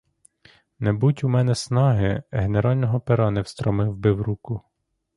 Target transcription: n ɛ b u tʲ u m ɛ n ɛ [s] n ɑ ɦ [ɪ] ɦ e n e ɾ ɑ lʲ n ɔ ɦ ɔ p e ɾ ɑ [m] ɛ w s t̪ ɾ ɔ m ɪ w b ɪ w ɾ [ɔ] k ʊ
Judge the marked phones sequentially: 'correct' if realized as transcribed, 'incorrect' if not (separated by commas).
correct, correct, incorrect, incorrect